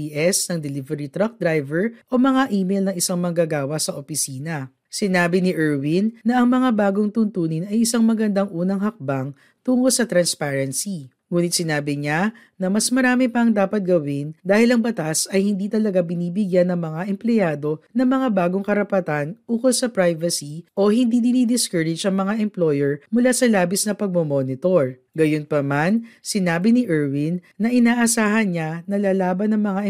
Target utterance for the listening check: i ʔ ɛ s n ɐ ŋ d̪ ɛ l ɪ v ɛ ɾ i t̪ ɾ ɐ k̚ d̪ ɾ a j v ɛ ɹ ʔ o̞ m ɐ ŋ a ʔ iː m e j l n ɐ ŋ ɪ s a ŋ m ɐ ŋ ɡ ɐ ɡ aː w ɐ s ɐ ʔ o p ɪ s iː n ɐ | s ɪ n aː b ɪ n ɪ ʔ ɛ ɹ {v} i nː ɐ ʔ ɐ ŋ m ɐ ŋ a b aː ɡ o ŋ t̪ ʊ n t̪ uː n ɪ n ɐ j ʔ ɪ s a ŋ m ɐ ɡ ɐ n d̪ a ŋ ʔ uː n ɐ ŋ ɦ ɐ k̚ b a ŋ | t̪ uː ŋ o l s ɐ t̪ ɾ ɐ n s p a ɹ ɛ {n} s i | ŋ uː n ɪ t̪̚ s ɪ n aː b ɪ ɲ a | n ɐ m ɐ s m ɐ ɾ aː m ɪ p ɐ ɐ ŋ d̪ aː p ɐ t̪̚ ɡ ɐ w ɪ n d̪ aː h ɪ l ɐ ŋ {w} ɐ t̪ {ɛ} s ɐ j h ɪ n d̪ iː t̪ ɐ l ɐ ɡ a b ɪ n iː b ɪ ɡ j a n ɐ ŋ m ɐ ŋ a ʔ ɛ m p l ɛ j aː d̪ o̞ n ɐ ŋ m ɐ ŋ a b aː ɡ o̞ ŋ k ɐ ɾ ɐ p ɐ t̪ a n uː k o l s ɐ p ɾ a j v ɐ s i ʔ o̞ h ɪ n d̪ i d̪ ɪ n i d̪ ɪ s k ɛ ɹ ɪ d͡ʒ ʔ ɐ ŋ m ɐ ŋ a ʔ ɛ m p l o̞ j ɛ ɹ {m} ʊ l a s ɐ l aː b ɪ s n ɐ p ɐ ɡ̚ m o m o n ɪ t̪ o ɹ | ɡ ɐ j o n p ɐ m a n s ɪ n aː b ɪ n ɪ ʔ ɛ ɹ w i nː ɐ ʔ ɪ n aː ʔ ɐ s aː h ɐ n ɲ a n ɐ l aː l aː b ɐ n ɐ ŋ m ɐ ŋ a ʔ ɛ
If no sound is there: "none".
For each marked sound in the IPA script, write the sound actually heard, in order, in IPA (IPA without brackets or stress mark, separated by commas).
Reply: w, n, b, a, m